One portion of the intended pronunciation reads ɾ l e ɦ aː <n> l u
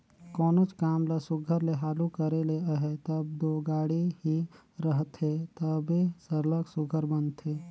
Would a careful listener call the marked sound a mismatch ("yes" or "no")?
yes